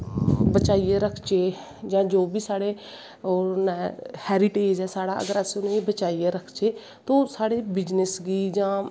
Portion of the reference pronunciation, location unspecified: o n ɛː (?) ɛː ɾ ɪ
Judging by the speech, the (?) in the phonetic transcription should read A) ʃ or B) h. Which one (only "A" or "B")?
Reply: B